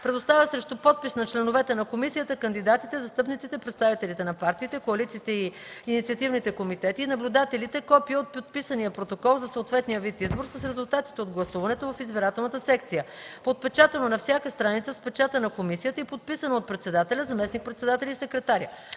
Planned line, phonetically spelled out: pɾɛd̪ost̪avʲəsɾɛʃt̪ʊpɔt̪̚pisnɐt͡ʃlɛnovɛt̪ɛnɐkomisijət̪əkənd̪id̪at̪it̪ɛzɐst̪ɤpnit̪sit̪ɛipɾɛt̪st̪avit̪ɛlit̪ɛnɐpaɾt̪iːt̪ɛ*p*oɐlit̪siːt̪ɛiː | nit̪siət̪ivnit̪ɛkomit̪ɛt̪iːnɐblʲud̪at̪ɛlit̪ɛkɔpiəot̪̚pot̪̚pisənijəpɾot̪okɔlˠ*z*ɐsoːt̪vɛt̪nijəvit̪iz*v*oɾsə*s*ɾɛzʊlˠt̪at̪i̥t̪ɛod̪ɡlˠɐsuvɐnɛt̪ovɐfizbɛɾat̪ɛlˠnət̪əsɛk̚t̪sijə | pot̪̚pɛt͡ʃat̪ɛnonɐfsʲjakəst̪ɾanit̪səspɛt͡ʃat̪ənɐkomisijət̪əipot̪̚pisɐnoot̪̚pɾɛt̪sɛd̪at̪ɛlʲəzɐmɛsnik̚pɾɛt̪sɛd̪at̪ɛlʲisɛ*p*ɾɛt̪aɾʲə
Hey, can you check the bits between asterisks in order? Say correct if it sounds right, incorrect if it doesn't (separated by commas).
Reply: incorrect, correct, incorrect, correct, incorrect